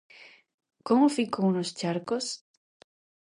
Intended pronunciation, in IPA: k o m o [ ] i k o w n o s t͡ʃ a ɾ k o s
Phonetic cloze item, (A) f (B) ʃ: A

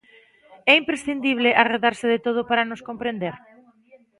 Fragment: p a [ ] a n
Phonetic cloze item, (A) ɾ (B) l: A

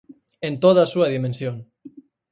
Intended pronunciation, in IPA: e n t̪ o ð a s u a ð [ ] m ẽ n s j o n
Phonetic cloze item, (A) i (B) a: A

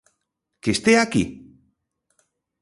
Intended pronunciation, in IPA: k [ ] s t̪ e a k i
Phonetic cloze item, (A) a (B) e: B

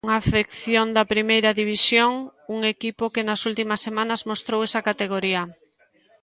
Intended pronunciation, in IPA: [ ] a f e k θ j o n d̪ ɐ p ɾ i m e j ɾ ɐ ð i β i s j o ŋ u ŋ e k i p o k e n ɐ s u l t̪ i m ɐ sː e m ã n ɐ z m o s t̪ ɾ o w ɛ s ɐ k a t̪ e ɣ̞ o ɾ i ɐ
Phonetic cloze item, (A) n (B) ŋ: B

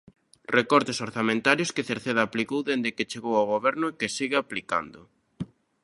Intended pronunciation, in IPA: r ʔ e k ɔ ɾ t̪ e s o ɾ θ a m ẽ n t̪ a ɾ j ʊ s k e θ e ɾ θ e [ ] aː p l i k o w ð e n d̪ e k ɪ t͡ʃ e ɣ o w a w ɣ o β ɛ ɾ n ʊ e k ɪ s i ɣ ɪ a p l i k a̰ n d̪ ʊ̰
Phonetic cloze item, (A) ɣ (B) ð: B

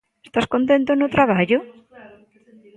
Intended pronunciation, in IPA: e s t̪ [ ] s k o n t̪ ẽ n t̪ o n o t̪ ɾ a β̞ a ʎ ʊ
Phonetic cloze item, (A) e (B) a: B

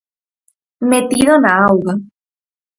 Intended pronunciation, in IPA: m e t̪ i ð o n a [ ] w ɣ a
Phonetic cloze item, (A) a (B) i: A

